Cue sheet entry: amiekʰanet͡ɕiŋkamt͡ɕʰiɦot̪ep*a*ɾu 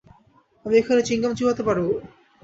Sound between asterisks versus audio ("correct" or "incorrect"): correct